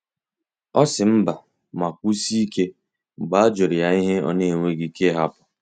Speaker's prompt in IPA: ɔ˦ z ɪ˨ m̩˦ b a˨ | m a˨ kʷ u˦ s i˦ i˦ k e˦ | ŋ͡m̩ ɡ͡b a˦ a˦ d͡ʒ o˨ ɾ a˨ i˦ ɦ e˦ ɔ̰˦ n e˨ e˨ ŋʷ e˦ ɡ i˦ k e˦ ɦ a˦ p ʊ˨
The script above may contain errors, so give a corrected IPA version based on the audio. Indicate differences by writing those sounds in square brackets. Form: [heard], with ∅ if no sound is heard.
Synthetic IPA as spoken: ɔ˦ [s] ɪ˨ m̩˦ b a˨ | m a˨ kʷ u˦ s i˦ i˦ k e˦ | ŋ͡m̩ ɡ͡b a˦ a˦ d͡ʒ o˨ ɾ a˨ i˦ ɦ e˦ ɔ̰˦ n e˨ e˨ ŋʷ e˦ ɡ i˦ k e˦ ɦ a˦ p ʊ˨